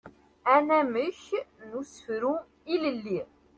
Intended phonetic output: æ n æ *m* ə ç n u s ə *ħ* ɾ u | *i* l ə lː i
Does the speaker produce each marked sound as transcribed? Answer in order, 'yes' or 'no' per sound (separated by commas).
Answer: yes, no, yes